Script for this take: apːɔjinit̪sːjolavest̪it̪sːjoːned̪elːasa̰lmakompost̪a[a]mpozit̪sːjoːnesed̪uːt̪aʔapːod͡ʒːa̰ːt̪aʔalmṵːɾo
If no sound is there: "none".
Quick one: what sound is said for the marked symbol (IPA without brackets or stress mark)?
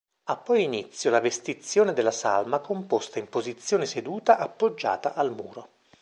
i